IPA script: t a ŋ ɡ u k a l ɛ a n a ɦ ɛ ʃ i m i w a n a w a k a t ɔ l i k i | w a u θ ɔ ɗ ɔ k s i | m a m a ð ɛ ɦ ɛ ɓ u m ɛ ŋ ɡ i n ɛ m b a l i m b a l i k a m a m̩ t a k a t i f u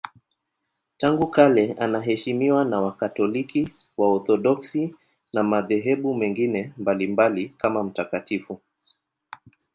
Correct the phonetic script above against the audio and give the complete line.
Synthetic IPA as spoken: t a ŋ ɡ u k a l ɛ a n a ɦ ɛ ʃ i m i w a n a w a k a t ɔ l i k i | w a ɔ θ ɔ ɗ ɔ k s i | n a m a ð ɛ ɦ ɛ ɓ u m ɛ ŋ ɡ i n ɛ m b a l i m b a l i k a m a m̩ t a k a t i f u